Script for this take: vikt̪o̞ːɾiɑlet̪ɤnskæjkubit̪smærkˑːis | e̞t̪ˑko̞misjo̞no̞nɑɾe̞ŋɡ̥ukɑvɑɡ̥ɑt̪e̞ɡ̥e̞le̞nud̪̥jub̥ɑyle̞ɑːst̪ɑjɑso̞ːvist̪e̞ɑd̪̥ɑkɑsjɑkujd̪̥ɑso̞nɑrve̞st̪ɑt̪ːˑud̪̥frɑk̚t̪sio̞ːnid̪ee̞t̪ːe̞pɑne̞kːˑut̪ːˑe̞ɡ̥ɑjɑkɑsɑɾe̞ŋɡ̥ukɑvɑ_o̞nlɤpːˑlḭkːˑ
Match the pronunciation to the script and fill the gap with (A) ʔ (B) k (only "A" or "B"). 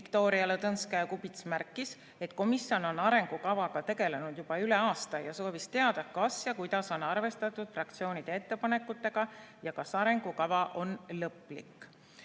A